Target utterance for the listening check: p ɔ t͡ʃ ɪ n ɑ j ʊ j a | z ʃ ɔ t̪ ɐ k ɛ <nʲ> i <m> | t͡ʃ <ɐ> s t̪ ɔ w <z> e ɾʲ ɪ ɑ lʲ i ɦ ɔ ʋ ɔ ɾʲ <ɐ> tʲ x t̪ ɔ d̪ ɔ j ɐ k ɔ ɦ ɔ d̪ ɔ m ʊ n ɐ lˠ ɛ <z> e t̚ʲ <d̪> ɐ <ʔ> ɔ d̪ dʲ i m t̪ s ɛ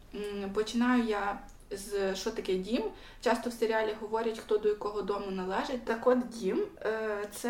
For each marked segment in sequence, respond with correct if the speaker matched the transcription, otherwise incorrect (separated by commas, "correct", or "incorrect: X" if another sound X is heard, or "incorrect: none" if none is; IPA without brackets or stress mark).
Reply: incorrect: dʲ, correct, incorrect: ɑ, incorrect: s, correct, incorrect: ʒ, incorrect: t̪, incorrect: k